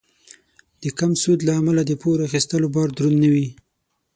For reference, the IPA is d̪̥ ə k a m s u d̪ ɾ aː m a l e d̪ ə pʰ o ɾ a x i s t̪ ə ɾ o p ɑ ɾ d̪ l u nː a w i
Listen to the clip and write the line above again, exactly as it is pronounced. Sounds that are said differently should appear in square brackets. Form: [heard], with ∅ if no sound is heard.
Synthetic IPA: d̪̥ ə k a m s u d̪ [l] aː m a l [a] d̪ ə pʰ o ɾ a x i s t̪ ə [l] o [b] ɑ ɾ d̪ [ɾ] u nː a w i